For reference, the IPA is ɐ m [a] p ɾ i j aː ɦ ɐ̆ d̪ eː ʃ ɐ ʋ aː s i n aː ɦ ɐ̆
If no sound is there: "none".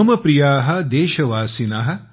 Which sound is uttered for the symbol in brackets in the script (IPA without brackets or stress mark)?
ɐ